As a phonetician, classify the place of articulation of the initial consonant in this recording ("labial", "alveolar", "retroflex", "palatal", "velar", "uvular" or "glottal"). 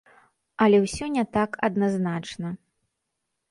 alveolar